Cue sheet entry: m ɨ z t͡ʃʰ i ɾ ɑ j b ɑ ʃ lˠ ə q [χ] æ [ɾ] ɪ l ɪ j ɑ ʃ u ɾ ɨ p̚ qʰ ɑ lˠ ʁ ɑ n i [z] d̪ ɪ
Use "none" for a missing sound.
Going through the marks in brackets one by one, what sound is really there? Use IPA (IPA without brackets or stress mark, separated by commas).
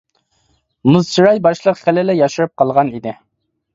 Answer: χ, l, none